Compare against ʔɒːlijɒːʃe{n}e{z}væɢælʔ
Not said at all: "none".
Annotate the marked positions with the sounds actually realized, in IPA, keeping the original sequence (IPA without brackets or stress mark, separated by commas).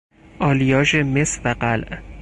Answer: m, s